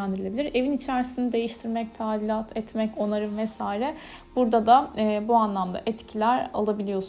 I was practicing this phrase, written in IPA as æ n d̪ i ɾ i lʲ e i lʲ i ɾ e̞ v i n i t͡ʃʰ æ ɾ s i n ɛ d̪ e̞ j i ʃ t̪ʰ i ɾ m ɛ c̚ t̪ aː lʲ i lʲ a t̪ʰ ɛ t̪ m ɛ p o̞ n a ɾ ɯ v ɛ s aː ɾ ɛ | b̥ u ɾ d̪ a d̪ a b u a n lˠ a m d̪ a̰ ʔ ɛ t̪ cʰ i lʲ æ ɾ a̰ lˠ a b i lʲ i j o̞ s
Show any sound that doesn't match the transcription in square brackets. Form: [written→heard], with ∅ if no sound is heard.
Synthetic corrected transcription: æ n d̪ i ɾ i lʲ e i lʲ i ɾ e̞ v i n i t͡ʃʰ æ ɾ s i n [ɛ→i] d̪ e̞ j i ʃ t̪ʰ i ɾ m ɛ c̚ [t̪→t̪ʰ] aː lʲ i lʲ a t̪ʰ ɛ t̪ m ɛ [p→c] o̞ n a ɾ ɯ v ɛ s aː ɾ ɛ | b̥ u ɾ d̪ a d̪ a b u a n lˠ a m d̪ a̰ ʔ ɛ t̪ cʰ i lʲ æ ɾ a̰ lˠ a b i lʲ i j o̞ s